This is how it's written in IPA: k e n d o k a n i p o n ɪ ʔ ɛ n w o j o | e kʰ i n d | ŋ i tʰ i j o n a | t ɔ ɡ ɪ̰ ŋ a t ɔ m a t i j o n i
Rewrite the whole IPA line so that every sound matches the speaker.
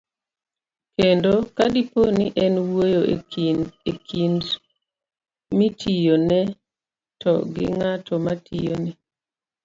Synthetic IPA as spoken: k e n d o k a d i p o n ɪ ʔ ɛ n w o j o | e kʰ i n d | m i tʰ i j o n ɛ | t ɔ ɡ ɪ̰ ŋ a t ɔ m a t i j o n ɛ